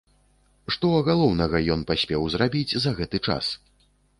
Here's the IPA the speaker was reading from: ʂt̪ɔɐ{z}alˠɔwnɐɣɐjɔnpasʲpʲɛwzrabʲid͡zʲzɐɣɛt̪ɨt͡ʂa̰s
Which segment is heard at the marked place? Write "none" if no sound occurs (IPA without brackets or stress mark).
ɣ